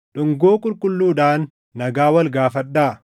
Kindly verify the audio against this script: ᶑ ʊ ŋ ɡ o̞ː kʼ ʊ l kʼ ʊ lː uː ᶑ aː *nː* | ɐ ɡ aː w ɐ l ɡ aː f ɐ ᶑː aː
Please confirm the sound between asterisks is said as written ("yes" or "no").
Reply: yes